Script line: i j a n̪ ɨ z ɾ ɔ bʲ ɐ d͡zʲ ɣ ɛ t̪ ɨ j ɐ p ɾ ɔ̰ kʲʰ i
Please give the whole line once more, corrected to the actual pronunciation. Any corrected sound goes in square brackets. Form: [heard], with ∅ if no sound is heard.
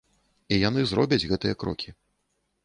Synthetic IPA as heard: i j a n̪ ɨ z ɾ ɔ bʲ ɐ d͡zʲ ɣ ɛ t̪ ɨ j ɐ [k] ɾ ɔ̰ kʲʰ i